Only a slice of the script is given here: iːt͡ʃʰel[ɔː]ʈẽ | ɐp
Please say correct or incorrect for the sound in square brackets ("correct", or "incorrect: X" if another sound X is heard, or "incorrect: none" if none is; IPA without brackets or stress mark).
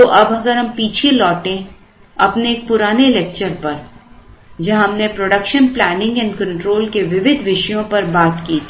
correct